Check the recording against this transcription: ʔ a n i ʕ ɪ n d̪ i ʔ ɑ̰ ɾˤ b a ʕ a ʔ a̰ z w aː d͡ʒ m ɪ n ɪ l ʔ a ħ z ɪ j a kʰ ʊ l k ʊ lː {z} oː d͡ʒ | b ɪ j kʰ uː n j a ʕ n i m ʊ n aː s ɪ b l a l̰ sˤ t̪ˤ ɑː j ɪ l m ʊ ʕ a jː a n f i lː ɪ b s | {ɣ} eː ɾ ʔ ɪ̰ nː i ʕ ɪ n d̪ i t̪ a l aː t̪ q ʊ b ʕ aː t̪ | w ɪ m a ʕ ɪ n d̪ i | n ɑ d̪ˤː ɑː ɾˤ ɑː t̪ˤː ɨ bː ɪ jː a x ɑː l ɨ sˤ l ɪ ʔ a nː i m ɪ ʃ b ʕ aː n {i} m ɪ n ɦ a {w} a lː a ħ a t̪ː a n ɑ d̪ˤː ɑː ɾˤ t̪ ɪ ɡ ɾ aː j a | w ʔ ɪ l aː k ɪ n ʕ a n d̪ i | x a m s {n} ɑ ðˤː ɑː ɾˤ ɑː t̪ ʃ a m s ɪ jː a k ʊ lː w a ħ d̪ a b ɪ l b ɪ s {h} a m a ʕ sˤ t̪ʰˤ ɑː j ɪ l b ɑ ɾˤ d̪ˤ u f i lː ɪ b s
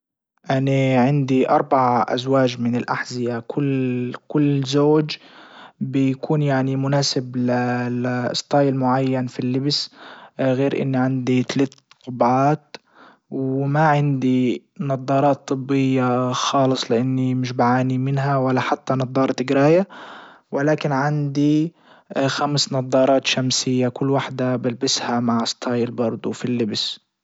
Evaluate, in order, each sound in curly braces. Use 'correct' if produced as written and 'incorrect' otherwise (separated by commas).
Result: correct, correct, correct, correct, correct, correct